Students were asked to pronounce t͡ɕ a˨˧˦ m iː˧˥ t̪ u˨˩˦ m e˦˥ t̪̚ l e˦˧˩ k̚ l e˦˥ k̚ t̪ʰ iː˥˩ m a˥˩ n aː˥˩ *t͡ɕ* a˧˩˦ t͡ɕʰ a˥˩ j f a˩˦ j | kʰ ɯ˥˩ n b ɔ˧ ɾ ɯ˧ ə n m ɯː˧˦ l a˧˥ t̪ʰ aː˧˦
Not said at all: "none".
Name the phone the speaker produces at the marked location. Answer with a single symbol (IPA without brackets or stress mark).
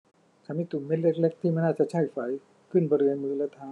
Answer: t͡ɕ